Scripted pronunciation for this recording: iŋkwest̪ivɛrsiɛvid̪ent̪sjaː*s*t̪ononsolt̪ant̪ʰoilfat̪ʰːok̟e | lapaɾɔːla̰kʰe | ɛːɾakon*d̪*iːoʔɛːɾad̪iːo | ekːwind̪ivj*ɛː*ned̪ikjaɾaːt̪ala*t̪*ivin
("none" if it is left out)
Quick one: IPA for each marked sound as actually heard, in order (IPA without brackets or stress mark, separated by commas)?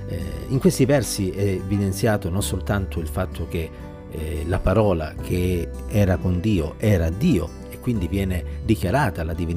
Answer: none, d̪, ɛː, d̪